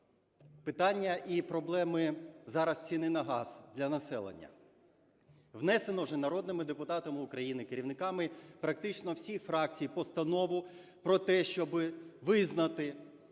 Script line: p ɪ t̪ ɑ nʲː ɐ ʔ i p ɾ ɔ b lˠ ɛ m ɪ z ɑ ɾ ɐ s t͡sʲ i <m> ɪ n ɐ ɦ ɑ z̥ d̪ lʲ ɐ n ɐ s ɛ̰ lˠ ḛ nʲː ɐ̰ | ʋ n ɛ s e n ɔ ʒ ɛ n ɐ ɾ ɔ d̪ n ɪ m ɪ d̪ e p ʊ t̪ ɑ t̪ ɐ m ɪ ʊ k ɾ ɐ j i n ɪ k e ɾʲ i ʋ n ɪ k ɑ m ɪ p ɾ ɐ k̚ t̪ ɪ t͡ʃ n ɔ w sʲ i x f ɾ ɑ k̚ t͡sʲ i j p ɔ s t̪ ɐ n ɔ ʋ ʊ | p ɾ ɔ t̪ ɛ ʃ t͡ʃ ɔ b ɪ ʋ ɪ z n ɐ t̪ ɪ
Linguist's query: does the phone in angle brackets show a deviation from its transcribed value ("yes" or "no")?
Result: yes